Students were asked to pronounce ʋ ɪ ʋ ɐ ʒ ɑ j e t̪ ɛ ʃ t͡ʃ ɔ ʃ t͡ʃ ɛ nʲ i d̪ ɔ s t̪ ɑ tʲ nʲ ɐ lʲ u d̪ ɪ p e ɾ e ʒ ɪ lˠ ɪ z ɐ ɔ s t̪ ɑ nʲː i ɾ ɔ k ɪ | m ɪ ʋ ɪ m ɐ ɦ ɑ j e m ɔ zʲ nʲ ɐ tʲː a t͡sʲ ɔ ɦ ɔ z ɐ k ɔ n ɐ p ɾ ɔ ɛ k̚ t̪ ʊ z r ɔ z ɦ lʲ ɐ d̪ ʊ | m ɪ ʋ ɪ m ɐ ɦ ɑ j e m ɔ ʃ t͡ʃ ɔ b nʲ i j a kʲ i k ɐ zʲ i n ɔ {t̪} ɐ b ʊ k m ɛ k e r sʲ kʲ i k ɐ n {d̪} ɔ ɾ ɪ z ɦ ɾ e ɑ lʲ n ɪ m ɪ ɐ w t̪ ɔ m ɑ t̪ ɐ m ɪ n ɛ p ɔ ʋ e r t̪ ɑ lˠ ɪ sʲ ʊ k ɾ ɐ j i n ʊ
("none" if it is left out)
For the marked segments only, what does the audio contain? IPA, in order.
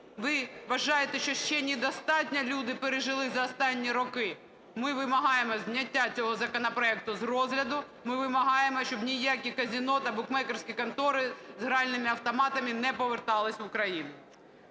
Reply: t̪, t̪

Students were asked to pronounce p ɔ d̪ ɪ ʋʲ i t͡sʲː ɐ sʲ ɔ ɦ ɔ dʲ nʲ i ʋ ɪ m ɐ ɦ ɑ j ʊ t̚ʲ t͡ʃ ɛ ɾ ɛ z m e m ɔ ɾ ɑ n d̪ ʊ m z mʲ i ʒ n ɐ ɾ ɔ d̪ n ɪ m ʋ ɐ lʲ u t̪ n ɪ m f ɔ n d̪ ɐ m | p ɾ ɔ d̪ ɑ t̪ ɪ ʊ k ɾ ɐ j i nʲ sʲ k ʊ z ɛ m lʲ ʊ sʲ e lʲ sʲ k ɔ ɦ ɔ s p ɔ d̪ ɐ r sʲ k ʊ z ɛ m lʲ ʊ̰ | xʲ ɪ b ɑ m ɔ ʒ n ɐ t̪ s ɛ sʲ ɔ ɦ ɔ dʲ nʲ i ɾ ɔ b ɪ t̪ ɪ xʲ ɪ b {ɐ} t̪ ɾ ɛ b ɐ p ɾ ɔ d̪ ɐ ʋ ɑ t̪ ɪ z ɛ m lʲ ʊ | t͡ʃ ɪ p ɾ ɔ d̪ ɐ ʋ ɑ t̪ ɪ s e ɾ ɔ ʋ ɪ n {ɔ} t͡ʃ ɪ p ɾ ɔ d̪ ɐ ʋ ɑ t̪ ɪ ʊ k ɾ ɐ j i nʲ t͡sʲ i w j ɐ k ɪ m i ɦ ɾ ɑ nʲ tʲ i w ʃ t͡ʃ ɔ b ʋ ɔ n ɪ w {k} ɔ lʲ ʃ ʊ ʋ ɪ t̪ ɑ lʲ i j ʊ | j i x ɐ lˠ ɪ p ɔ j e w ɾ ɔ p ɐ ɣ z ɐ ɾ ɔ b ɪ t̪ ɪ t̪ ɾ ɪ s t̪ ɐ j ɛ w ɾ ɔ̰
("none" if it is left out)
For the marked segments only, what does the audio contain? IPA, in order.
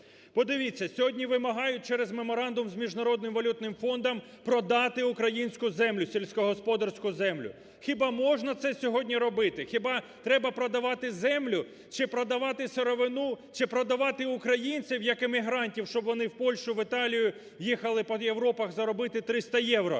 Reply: ɑ, u, p

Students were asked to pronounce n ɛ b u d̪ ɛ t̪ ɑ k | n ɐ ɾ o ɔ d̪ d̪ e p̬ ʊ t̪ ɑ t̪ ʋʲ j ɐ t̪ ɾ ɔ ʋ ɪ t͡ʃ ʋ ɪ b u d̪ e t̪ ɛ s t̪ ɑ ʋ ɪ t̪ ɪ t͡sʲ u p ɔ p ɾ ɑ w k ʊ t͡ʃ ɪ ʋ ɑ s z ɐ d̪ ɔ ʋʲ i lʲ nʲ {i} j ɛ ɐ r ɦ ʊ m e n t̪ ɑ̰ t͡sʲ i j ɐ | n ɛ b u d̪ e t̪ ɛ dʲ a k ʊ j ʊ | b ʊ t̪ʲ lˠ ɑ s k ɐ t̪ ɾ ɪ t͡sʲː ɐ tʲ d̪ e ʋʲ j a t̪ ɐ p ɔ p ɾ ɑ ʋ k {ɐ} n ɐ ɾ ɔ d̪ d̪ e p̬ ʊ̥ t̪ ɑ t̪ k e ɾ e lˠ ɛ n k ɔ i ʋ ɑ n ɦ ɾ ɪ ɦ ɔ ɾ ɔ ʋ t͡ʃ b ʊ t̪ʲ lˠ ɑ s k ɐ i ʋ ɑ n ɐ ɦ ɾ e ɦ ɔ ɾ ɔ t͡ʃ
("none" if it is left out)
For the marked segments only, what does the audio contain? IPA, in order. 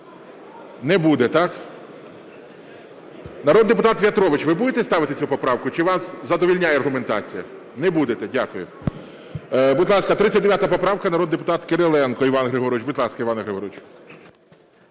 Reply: a, ɐ

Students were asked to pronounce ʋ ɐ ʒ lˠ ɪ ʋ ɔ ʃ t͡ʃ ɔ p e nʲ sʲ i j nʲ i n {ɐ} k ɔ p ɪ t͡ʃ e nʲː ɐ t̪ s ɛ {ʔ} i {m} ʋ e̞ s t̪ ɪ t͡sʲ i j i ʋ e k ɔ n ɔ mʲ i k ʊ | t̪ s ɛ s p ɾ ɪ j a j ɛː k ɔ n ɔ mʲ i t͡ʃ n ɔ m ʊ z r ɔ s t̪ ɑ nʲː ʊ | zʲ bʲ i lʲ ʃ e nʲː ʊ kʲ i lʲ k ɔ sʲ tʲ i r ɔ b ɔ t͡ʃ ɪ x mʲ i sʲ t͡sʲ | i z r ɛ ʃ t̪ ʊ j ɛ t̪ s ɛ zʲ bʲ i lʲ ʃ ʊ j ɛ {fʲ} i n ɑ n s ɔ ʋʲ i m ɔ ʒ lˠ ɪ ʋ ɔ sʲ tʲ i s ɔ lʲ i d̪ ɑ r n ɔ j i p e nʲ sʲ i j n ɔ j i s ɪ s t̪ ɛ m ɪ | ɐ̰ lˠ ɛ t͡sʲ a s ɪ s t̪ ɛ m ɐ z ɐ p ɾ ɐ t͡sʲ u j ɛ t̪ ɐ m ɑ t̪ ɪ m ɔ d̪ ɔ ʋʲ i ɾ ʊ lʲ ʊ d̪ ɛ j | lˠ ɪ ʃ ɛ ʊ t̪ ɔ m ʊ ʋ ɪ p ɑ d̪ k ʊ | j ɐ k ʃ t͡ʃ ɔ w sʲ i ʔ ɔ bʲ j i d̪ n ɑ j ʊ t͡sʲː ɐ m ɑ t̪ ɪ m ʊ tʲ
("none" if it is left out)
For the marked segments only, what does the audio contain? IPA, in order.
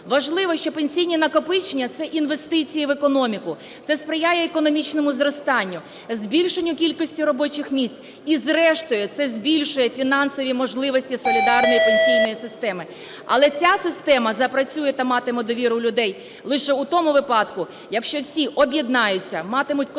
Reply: ɐ, ʔ, n, fʲ

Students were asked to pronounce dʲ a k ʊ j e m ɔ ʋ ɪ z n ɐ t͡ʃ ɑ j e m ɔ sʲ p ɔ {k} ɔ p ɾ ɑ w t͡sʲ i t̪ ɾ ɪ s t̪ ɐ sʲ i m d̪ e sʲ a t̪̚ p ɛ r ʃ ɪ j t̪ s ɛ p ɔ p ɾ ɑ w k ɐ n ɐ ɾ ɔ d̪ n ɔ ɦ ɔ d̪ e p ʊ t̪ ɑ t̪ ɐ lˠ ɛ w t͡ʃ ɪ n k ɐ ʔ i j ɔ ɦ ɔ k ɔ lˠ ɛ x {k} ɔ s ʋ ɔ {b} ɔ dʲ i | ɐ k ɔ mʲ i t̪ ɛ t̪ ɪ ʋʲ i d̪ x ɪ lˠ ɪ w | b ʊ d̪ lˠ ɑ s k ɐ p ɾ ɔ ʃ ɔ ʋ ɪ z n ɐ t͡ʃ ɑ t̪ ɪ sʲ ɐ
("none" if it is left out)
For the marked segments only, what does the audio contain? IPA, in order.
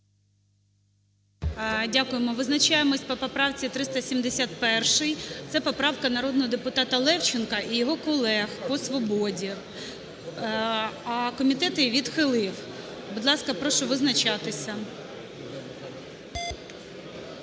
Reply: p, p, b

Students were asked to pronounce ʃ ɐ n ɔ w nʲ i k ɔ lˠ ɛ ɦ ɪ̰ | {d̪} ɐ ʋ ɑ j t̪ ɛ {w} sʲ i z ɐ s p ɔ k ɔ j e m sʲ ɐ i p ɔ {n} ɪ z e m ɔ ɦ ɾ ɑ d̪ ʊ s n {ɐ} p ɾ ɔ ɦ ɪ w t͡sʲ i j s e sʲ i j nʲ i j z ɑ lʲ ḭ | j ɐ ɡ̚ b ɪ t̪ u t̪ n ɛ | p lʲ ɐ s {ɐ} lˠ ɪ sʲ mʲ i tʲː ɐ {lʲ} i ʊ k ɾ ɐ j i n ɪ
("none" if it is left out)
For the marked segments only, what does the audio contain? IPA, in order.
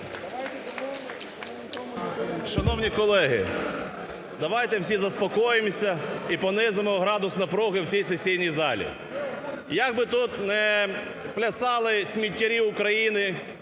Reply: d̪, w, n, ɐ, ɑ, ɾʲ

